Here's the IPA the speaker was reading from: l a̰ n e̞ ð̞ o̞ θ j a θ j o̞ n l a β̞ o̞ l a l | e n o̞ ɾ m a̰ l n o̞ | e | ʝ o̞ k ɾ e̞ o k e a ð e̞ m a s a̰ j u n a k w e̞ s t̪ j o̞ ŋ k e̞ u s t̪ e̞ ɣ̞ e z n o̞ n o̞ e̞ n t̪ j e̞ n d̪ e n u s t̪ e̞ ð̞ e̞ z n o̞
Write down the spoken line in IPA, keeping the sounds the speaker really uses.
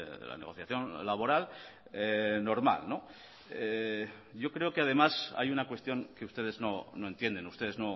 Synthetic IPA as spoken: l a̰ n e̞ ɣ̞ o̞ θ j a θ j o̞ n l a β̞ o̞ ɾ a l | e n o̞ ɾ m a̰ l n o̞ | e | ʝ o̞ k ɾ e̞ o k e a ð e̞ m a s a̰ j u n a k w e̞ s t̪ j o̞ ŋ k e̞ u s t̪ e̞ ð̞ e z n o̞ n o̞ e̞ n t̪ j e̞ n d̪ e n u s t̪ e̞ ð̞ e̞ z n o̞